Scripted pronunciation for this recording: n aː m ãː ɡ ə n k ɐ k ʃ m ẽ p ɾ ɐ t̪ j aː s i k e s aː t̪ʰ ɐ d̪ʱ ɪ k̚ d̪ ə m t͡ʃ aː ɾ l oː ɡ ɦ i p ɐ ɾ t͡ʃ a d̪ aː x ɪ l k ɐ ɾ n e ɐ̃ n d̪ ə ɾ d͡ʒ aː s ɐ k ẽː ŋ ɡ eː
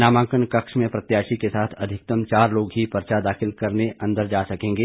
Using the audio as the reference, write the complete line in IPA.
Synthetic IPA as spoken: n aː m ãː k ə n k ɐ k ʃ m ẽ p ɾ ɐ t̪ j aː ʃ i k e s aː t̪ʰ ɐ d̪ʱ ɪ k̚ t̪ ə m t͡ʃ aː ɾ l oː ɡ ɦ i p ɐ ɾ t͡ʃ a d̪ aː x ɪ l k ɐ ɾ n e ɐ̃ n d̪ ə ɾ d͡ʒ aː s ɐ k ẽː ŋ ɡ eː